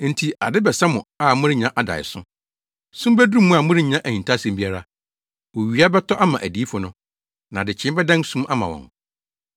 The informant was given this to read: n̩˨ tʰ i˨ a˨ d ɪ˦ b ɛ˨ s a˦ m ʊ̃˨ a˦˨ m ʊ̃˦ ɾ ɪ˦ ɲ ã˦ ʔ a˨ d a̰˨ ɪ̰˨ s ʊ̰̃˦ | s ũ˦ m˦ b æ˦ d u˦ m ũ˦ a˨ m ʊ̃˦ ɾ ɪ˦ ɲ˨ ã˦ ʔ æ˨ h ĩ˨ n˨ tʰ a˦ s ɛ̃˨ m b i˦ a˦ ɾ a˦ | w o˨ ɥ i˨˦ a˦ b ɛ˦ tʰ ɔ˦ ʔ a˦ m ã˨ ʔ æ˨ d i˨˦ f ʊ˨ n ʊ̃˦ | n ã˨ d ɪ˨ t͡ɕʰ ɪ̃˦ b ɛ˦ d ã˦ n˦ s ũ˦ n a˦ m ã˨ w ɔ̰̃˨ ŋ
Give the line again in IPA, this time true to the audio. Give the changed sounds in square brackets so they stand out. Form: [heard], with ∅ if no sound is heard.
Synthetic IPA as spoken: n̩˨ tʰ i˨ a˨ d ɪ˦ b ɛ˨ s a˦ m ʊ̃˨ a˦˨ m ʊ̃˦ ɾ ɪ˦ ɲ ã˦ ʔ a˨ d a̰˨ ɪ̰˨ s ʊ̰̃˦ | s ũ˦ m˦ b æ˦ d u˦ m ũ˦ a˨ m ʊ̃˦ ɾ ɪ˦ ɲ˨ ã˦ ʔ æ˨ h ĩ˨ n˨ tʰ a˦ s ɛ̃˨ m b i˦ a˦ ɾ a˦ | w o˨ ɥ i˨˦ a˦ b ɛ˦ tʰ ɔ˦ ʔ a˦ m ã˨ ʔ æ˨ d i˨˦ f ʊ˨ n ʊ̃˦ | n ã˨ d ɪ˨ t͡ɕʰ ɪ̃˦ b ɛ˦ d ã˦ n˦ s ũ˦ [m] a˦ m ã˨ w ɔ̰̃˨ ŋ